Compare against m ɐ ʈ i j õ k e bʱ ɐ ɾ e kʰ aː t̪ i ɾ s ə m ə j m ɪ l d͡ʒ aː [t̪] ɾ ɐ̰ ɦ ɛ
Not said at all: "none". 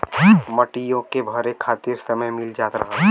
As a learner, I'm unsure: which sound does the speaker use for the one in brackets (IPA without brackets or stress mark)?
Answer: t̪